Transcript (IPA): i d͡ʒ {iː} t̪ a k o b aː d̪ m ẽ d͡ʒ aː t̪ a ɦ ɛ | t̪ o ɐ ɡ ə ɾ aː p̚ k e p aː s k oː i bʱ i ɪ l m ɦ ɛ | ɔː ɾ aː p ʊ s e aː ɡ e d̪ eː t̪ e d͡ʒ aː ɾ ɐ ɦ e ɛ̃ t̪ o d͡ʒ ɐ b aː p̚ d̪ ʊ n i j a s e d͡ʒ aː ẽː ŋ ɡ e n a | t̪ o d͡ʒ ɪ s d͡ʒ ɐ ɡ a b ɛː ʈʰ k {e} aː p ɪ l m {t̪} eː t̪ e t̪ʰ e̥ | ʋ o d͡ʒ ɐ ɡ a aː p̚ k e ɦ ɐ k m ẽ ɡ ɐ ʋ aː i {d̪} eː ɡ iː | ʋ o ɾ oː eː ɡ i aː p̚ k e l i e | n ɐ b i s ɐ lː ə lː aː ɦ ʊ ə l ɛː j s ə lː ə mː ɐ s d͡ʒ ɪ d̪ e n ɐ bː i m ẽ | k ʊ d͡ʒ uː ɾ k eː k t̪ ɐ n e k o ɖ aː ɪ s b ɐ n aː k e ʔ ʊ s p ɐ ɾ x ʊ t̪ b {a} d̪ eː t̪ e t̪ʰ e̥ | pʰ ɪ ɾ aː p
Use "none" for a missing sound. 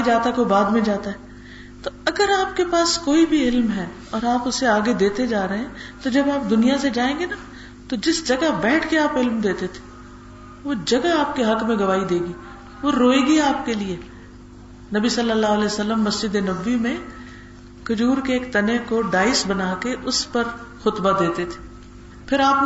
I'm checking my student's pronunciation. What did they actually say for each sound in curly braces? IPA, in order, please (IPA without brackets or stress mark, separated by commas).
aː, e, d̪, d̪, a